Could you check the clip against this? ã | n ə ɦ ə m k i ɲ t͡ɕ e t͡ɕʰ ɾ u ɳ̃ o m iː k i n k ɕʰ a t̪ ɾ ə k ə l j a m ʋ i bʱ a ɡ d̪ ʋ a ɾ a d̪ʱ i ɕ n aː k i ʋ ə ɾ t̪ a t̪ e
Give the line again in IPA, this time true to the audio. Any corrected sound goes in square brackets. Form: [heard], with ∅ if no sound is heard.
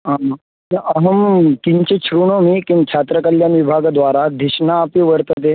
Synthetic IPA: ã | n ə ɦ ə m k i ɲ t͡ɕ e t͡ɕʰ ɾ u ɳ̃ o m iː k i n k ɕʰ a t̪ ɾ ə k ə l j a [n] ʋ i bʱ a ɡ d̪ ʋ a ɾ a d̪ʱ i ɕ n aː [p] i ʋ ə ɾ t̪ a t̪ e